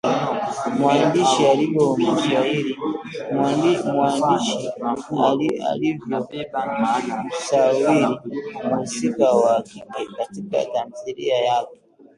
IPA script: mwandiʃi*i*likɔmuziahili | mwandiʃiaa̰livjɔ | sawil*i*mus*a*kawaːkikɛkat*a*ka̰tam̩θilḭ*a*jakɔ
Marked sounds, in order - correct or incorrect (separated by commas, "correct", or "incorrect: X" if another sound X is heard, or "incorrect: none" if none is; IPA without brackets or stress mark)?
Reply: incorrect: a, correct, incorrect: i, incorrect: i, correct